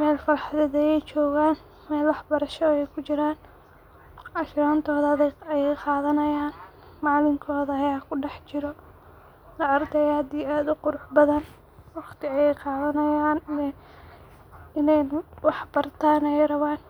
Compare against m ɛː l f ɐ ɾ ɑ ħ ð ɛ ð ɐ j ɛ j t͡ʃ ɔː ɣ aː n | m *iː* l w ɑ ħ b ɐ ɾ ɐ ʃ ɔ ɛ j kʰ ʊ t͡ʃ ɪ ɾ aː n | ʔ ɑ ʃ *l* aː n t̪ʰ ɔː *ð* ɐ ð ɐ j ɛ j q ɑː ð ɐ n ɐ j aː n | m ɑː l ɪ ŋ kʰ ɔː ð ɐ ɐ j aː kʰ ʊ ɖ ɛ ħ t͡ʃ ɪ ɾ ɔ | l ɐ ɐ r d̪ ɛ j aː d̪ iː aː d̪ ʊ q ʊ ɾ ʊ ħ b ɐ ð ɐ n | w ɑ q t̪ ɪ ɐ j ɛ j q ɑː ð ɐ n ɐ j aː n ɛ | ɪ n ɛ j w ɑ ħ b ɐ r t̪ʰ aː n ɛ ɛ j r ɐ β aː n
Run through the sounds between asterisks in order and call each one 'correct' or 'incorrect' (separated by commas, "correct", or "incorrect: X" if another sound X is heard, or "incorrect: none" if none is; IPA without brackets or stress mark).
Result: incorrect: ɛː, incorrect: ɾ, correct